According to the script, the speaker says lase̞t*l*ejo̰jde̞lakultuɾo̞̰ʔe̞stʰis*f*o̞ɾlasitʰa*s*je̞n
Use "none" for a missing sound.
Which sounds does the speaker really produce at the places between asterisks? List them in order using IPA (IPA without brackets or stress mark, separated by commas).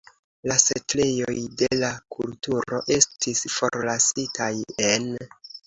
l, f, none